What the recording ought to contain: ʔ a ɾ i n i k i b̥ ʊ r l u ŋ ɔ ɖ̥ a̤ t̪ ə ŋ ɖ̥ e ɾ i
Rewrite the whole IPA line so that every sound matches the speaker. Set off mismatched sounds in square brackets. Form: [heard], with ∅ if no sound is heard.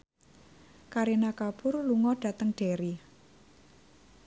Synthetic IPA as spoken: [k] a ɾ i n [a] k [a] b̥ ʊ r l u ŋ ɔ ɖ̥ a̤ t̪ ə ŋ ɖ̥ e ɾ i